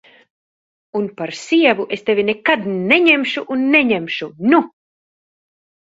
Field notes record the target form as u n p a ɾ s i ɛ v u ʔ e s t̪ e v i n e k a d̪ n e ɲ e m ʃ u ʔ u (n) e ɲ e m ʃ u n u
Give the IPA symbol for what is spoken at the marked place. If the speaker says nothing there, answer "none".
nː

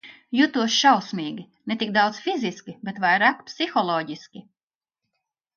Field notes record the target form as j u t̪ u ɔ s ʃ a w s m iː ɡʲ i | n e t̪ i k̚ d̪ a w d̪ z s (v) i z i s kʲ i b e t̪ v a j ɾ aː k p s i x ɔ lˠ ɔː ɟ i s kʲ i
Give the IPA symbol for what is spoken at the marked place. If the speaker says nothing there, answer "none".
f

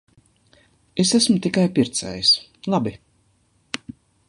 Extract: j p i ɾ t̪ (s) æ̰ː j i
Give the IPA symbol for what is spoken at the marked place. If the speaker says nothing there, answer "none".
s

